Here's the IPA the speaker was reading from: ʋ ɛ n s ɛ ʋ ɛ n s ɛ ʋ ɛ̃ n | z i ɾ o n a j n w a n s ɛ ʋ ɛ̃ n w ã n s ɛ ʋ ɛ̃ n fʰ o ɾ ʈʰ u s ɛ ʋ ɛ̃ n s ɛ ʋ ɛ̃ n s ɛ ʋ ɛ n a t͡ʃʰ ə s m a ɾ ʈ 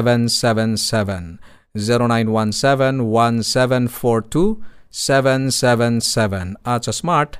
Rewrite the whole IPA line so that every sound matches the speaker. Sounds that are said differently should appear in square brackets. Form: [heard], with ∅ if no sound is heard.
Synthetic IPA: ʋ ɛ n s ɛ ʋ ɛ n s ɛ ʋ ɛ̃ n | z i ɾ o n a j n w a n s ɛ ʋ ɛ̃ n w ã n s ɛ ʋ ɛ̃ n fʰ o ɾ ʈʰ u s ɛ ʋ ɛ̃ n s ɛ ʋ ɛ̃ n s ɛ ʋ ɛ n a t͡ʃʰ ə s m a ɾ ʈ